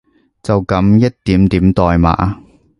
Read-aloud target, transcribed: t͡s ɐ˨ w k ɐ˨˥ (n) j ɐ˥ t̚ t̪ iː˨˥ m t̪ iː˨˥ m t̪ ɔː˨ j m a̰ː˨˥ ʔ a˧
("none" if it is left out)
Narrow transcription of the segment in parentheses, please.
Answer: m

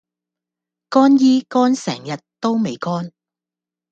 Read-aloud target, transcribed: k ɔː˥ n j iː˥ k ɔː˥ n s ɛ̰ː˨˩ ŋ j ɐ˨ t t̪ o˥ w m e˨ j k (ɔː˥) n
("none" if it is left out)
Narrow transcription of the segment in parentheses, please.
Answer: ɔː˥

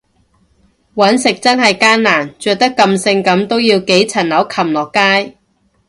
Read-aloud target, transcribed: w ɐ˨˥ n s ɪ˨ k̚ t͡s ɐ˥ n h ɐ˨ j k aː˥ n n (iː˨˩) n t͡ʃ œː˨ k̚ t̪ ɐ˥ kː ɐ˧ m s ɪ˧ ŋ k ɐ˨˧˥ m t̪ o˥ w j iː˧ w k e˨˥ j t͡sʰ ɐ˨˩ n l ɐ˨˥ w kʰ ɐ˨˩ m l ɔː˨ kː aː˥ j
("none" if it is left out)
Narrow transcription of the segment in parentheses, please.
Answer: aː˨˩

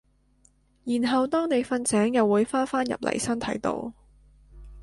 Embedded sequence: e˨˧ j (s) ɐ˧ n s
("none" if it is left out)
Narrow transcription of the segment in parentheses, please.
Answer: f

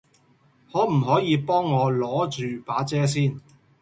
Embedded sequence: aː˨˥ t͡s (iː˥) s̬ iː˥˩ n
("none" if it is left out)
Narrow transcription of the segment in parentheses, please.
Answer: ɛː˥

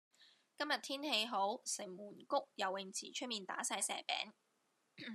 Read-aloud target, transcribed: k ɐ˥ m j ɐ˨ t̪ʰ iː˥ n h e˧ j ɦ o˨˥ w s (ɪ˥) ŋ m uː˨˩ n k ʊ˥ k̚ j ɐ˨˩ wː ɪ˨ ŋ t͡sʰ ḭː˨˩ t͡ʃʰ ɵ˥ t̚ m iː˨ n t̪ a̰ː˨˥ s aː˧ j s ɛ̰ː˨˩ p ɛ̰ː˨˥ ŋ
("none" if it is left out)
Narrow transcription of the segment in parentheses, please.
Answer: ɪ˨˩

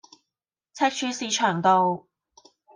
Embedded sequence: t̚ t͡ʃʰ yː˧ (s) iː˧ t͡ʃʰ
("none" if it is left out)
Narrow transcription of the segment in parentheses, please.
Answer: s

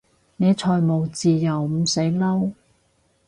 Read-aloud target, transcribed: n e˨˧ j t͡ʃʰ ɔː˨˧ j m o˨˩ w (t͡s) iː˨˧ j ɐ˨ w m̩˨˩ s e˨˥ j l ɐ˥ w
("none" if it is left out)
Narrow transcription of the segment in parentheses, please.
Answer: t͡s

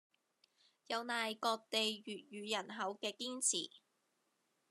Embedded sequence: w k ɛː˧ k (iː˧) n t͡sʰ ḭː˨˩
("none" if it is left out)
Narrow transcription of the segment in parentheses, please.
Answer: iː˥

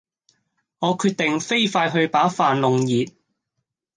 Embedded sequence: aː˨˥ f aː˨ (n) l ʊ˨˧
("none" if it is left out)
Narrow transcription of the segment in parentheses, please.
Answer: n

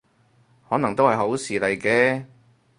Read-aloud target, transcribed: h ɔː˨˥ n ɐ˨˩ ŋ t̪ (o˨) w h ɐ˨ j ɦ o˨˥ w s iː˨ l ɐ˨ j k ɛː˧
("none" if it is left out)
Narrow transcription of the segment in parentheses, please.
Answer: o˥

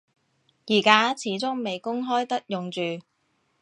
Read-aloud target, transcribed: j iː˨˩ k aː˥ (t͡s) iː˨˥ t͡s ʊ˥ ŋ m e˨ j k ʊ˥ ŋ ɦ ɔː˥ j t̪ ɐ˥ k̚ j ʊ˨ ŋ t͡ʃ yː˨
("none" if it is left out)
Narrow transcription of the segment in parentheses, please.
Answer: t͡sʰ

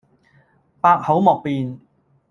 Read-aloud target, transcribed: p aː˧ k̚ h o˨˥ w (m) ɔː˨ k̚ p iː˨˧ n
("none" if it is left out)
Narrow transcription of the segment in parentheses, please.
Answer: m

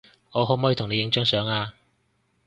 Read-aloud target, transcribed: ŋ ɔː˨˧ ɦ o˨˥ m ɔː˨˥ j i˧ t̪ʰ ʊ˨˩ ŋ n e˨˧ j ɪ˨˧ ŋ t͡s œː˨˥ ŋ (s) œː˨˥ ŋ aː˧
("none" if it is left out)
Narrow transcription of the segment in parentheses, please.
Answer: s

